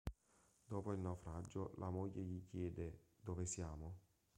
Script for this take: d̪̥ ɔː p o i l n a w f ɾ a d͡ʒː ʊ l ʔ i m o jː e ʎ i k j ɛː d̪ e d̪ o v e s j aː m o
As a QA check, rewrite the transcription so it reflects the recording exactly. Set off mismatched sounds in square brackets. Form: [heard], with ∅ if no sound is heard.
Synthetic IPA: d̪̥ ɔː p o i l n a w f ɾ a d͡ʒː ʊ l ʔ [a] m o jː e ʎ i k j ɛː d̪ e d̪ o v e s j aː m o